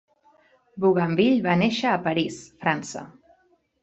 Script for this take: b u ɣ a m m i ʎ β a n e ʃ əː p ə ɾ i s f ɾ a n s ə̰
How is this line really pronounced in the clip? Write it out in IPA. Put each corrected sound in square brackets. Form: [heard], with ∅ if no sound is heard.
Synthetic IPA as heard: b u ɣ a m [b] i ʎ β a n e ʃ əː p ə ɾ i s f ɾ a n s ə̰